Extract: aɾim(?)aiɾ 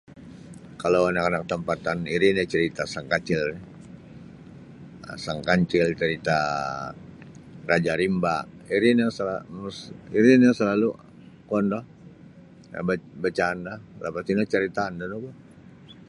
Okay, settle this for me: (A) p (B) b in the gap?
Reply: B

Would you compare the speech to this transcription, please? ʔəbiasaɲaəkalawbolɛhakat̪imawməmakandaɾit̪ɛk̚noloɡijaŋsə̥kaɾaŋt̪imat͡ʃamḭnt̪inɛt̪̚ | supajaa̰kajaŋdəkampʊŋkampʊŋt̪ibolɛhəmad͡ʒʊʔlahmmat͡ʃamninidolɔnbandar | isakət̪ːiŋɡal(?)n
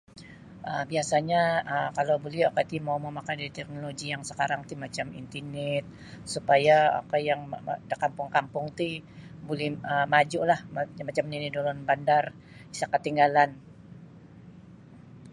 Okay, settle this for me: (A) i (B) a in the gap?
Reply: B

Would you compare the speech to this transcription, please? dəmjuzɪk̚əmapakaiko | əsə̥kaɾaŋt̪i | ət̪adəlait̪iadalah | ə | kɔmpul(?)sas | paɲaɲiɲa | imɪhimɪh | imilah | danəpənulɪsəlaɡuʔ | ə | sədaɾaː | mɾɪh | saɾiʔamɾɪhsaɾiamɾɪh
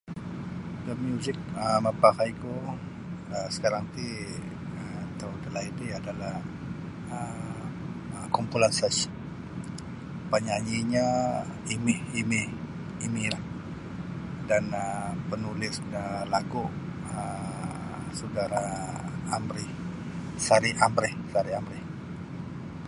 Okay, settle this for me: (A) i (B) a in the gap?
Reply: B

